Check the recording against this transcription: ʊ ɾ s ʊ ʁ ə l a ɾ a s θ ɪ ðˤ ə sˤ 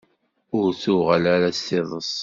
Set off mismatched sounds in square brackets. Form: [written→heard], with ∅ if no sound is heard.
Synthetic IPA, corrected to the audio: ʊ ɾ [s→θ] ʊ ʁ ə l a ɾ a s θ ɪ ðˤ ə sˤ